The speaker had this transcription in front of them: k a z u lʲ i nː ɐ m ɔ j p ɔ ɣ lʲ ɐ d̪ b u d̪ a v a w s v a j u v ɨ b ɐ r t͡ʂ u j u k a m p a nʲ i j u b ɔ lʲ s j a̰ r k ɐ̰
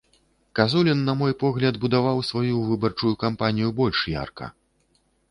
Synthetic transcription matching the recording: k a z u lʲ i nː ɐ m ɔ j p ɔ ɣ lʲ ɐ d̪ b u d̪ a v a w s v a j u v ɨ b ɐ r t͡ʂ u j u k a m p a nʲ i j u b ɔ lʲ ʂ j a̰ r k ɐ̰